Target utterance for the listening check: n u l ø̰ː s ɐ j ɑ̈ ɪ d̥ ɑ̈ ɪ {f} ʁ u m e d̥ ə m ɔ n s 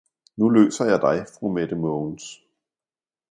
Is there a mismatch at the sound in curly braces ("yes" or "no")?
no